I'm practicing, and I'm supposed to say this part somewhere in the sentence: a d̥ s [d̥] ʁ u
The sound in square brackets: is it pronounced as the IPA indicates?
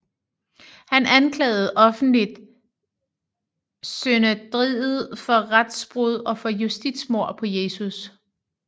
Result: no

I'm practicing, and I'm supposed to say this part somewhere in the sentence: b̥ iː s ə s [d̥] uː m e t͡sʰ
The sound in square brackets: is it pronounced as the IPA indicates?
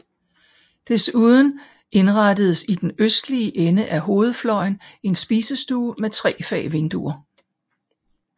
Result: yes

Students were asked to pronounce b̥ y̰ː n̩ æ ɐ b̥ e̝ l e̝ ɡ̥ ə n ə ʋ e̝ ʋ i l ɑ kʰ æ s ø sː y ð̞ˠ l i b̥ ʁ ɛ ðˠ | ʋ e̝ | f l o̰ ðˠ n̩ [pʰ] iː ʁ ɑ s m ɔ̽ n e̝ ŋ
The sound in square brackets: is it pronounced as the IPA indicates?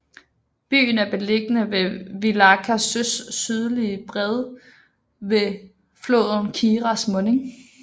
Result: no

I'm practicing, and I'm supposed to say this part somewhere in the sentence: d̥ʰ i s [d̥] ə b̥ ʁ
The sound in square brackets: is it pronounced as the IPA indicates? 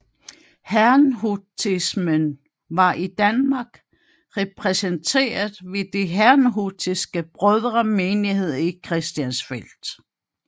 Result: no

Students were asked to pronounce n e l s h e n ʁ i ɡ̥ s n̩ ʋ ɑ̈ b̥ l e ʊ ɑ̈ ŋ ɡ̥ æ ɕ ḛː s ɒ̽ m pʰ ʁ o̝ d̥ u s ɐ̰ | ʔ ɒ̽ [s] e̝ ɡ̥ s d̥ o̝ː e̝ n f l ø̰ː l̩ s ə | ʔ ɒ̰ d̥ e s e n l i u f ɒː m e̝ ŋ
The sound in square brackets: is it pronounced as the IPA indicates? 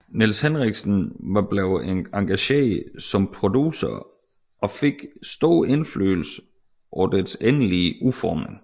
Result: no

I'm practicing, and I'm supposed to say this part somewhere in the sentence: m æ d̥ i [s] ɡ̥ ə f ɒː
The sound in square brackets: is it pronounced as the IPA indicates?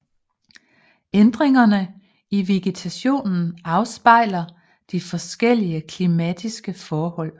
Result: yes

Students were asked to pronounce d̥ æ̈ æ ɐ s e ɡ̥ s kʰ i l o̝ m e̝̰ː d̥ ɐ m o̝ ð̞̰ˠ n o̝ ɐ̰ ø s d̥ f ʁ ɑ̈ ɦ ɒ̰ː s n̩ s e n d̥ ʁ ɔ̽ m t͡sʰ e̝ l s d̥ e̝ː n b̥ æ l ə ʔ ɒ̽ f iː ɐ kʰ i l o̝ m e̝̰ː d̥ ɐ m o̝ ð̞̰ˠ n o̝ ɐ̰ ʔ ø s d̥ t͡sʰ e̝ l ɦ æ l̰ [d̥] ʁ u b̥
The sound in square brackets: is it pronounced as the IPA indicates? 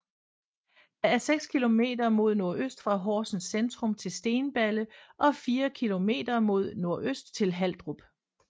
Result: yes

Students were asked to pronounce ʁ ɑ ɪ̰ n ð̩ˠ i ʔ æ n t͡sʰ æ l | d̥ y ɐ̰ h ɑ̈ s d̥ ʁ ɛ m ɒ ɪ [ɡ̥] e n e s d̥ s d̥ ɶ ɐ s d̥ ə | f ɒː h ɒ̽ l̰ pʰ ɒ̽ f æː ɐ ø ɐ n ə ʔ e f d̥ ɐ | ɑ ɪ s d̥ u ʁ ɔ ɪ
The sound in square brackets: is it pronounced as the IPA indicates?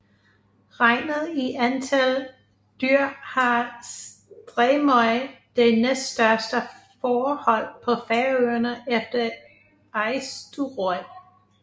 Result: no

